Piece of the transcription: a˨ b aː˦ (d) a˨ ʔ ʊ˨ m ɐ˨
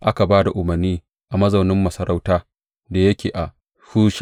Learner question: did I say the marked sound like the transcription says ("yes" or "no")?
yes